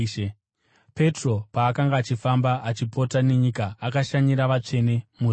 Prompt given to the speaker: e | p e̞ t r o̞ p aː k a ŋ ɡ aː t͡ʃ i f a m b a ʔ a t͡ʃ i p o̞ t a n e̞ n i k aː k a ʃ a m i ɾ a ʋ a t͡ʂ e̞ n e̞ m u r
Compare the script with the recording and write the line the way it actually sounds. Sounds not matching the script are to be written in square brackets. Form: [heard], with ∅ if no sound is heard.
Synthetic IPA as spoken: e | p e̞ t r o̞ p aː k a ŋ ɡ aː t͡ʃ i f a m b a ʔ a t͡ʃ i p o̞ t a n e̞ [ɲ] i k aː k a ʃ a [ɲ] i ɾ a ʋ a t͡ʂ e̞ n e̞ m u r